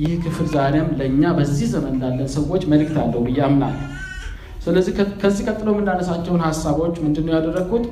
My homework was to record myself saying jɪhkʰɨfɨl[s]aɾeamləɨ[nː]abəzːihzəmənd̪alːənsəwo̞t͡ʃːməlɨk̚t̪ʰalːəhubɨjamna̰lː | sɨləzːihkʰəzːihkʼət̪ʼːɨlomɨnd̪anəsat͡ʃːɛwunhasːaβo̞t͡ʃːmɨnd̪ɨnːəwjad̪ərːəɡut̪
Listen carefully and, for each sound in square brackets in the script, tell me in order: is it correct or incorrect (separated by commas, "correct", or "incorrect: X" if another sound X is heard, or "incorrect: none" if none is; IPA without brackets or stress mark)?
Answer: incorrect: z, incorrect: ɲː